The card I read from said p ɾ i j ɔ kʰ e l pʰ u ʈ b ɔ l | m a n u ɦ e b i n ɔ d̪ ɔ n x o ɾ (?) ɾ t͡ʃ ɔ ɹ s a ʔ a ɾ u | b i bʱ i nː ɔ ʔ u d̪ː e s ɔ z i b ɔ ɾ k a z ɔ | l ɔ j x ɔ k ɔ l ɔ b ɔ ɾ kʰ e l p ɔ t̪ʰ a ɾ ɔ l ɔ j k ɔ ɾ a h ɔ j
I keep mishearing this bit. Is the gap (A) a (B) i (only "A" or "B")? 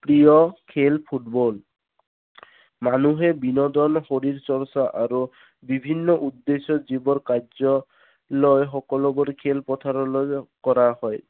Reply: B